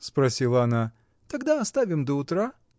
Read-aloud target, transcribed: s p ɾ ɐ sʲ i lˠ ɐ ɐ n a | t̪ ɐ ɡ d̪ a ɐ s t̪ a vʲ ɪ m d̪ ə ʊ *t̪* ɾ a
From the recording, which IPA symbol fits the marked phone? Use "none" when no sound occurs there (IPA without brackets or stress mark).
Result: t̪